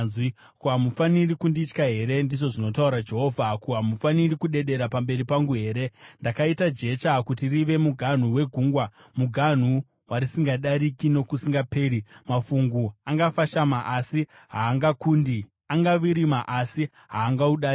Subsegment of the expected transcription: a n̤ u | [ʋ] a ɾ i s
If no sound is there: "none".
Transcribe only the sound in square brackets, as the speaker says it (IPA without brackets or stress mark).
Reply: w